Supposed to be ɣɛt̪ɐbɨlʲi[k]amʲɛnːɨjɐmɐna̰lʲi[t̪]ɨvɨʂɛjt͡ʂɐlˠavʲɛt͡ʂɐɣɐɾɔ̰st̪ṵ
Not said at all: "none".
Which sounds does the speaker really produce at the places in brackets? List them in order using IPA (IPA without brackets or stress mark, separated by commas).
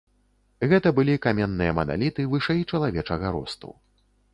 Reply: k, t̪